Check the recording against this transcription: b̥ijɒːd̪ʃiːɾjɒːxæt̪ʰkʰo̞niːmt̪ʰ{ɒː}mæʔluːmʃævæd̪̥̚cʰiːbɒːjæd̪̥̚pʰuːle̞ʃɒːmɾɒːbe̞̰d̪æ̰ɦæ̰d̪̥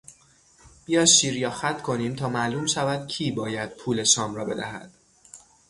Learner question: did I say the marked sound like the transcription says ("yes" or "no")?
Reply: yes